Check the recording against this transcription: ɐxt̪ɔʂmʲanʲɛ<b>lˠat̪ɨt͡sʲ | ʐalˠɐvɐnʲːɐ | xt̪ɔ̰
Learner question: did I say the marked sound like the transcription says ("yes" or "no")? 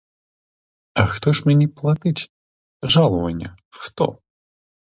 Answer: no